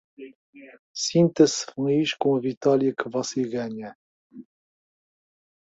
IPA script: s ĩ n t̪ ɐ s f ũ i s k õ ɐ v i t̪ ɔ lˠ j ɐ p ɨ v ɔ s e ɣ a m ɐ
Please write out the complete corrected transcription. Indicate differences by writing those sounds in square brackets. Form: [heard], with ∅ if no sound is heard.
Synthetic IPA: s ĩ n t̪ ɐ s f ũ i [ʃ] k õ ɐ v i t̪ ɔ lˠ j ɐ [k] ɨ v ɔ s e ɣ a [ɲ] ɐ